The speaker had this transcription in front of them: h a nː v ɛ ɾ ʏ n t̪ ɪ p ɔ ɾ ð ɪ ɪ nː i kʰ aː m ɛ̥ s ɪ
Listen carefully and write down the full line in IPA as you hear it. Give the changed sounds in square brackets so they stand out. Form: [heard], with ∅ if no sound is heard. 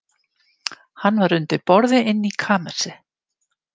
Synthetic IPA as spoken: h a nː v [a] ɾ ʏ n t̪ ɪ p ɔ ɾ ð ɪ ɪ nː i kʰ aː m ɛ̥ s ɪ